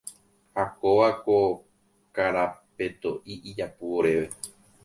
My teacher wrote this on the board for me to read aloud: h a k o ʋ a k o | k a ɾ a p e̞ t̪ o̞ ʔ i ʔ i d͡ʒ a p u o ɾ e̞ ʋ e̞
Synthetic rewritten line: h a k o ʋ a k o | k a ɾ a p e̞ t̪ o̞ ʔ i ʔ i d͡ʒ a p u o ɾ e̞ ʋ e̞